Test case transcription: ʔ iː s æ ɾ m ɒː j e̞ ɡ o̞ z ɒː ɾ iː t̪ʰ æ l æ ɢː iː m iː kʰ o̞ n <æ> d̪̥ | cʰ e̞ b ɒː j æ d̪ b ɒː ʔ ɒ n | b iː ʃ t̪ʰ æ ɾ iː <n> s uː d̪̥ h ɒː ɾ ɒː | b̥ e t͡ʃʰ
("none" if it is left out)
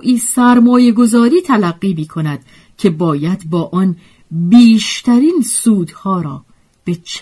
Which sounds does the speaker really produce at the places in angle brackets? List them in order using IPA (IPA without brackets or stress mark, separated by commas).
æ, n